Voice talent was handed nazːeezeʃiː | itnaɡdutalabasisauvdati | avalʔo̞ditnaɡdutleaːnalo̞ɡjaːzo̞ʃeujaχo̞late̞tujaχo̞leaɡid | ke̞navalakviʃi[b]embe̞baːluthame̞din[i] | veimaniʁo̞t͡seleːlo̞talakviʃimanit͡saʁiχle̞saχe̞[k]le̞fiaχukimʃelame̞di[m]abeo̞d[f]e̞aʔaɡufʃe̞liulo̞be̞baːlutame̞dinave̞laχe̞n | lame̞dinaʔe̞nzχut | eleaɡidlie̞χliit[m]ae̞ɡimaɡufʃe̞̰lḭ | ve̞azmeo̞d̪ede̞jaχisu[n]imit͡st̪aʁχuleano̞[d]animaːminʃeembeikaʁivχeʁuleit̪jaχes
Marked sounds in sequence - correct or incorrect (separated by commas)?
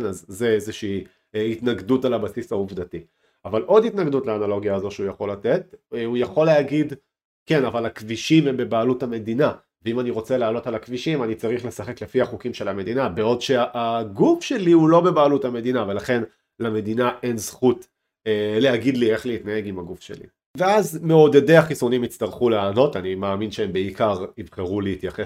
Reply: incorrect, incorrect, correct, incorrect, incorrect, incorrect, correct, incorrect